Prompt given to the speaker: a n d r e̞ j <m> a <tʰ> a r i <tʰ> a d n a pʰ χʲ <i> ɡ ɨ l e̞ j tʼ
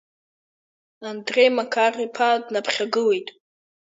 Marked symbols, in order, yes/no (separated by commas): yes, no, no, no